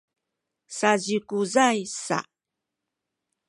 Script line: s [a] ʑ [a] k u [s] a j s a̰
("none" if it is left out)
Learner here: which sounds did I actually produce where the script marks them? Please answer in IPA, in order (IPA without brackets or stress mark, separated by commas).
a, i, z